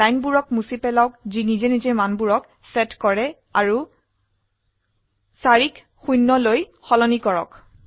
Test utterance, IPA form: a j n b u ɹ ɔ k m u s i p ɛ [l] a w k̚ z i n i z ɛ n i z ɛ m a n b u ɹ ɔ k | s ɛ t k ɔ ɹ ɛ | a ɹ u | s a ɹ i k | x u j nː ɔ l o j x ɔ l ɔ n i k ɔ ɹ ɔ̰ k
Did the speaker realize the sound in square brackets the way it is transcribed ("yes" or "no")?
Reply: yes